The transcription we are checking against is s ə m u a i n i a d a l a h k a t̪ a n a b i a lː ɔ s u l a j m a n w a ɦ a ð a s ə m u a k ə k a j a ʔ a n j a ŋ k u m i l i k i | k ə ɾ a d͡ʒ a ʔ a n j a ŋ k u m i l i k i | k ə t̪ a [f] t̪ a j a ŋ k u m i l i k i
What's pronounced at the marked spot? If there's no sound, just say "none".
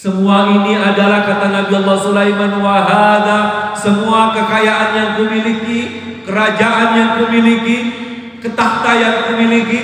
h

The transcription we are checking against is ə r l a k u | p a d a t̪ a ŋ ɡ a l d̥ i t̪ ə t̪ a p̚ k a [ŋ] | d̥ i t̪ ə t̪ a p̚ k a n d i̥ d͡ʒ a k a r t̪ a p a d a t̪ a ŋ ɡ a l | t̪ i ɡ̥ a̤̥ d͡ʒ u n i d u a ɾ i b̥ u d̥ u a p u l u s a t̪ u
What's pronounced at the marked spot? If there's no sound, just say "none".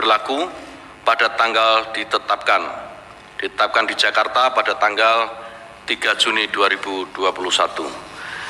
n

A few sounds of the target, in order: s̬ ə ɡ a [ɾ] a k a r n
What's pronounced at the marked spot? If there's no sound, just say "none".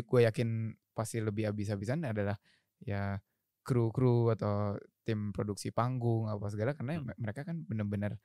l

